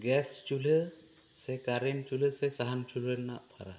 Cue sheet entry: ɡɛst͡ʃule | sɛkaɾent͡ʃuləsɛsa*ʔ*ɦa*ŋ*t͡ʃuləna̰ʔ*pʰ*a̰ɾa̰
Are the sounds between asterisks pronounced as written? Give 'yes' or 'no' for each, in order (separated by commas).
no, no, yes